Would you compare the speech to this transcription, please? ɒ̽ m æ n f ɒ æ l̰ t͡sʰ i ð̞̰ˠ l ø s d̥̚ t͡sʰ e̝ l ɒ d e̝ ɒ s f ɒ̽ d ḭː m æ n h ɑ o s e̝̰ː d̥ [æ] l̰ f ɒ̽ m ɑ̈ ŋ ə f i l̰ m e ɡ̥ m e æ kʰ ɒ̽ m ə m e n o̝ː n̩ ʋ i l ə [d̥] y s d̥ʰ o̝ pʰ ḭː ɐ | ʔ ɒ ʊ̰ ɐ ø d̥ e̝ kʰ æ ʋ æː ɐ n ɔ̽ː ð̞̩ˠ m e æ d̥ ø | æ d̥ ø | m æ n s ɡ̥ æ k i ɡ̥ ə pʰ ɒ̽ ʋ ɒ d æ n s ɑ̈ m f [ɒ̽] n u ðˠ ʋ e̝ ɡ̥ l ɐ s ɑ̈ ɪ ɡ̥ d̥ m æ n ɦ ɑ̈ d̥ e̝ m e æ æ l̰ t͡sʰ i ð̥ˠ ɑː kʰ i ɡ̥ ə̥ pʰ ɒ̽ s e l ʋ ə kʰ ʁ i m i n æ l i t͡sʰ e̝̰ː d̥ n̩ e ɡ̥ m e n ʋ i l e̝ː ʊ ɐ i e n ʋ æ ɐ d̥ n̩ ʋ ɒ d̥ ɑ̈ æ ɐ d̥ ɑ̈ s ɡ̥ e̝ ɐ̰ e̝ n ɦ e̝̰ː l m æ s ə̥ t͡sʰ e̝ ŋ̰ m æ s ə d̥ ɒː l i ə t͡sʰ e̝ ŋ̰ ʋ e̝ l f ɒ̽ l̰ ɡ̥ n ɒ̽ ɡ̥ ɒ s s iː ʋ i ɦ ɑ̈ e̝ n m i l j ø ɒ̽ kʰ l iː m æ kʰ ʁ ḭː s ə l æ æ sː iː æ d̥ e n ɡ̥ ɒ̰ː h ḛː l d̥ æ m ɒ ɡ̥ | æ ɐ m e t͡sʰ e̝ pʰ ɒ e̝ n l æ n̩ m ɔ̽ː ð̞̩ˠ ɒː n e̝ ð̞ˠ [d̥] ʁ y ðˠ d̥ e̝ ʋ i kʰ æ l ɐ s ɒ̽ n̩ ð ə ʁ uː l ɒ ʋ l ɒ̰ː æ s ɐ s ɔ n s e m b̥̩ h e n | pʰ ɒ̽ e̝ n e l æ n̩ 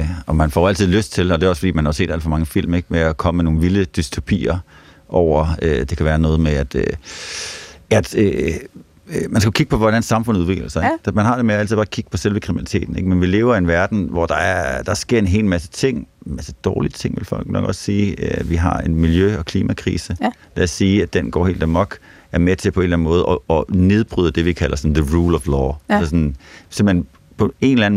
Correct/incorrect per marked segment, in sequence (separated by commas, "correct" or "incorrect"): correct, correct, incorrect, incorrect